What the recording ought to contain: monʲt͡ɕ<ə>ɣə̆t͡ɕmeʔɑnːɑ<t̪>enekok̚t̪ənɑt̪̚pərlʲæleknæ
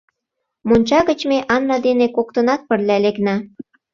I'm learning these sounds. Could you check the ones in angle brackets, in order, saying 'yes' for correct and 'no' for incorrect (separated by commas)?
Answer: no, no